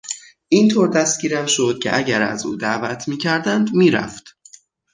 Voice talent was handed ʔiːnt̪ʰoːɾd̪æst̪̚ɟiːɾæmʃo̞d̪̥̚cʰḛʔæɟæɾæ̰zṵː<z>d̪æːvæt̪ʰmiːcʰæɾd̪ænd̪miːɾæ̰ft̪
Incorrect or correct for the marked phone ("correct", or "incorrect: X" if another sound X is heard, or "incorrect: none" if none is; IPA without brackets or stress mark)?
incorrect: none